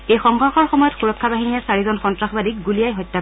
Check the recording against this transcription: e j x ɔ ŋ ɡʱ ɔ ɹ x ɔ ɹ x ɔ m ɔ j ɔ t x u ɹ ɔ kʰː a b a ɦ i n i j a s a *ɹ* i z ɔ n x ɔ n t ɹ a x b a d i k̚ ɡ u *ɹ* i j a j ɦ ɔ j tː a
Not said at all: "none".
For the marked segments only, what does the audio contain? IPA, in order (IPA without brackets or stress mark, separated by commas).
ɹ, l